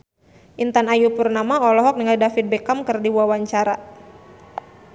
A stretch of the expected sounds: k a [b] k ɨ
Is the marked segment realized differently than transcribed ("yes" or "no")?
yes